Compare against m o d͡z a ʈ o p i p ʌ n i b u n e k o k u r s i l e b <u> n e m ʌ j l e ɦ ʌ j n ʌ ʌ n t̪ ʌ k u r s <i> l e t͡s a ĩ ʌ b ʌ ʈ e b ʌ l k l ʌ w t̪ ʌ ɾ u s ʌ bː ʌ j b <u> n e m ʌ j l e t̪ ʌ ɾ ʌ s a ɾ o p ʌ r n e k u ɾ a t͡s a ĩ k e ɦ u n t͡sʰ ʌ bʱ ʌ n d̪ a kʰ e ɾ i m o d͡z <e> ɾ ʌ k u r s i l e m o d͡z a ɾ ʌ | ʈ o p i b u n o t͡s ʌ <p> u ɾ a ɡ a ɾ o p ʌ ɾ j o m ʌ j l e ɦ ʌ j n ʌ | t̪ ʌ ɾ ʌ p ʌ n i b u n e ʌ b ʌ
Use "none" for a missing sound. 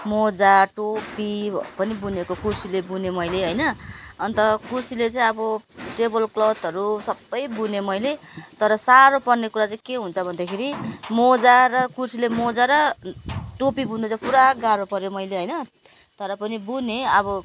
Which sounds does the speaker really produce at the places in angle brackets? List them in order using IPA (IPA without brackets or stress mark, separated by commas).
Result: u, i, u, a, p